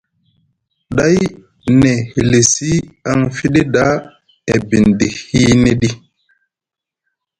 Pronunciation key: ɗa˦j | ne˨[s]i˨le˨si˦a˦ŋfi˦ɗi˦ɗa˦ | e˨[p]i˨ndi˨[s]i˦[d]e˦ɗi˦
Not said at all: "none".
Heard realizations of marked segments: h, b, h, n

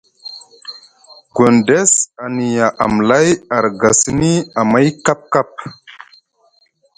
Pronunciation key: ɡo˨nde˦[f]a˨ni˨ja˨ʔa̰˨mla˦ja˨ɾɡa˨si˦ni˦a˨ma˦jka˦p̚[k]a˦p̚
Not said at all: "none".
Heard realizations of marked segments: s, k

